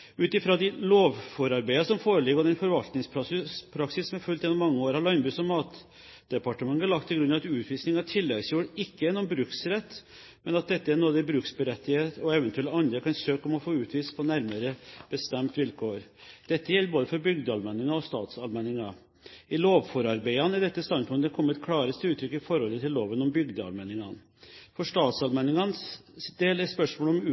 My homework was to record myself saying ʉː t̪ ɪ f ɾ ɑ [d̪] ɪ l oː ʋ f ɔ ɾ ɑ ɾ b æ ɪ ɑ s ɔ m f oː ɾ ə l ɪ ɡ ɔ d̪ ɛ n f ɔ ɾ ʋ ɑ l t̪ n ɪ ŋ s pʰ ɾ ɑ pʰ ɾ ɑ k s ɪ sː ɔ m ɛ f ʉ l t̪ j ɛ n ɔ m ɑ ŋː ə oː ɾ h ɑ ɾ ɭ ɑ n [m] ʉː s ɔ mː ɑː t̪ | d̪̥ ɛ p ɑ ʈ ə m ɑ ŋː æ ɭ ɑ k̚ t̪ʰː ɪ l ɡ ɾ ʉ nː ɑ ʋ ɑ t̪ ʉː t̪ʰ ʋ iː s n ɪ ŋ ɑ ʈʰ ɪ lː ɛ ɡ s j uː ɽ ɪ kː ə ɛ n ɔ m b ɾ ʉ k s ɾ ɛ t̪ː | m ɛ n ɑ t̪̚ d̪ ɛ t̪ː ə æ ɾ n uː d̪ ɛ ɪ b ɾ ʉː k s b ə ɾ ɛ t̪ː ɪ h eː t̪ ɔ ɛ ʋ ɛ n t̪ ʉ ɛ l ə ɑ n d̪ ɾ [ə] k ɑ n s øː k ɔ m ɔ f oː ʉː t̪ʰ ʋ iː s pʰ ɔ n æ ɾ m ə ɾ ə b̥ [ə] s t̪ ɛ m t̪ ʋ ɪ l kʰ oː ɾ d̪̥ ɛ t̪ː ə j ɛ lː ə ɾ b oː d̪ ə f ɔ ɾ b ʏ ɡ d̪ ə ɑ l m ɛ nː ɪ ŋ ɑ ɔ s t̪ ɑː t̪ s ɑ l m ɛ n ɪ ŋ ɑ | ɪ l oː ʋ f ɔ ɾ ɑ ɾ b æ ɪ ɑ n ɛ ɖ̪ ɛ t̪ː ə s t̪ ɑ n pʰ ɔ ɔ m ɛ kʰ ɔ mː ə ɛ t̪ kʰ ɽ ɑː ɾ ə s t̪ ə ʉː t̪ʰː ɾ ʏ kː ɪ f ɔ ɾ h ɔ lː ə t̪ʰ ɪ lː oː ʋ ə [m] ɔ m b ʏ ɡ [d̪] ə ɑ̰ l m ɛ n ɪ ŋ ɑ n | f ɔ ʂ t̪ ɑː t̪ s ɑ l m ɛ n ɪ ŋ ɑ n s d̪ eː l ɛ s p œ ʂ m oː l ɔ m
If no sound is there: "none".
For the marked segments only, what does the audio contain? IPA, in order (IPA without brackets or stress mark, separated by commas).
d̪, b, ə, ə, n, d̪